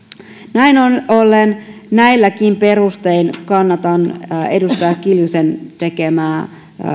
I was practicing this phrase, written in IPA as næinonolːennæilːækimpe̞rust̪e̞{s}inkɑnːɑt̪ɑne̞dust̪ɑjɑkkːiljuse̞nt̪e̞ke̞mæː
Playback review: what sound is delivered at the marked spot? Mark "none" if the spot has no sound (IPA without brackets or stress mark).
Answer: none